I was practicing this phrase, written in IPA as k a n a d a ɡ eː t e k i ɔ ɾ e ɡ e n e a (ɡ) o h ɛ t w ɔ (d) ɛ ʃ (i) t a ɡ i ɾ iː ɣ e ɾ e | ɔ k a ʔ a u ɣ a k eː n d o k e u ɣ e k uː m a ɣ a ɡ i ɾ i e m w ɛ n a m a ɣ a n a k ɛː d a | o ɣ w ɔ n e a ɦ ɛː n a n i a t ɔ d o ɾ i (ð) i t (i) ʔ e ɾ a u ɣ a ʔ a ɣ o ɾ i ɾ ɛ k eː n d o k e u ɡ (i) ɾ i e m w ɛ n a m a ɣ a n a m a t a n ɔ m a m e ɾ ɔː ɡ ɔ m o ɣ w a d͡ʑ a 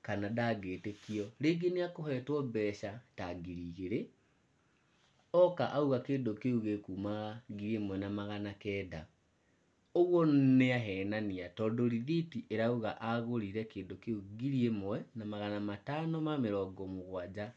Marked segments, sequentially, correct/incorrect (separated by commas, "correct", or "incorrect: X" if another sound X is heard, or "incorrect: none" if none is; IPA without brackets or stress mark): incorrect: k, incorrect: b, incorrect: a, correct, correct, correct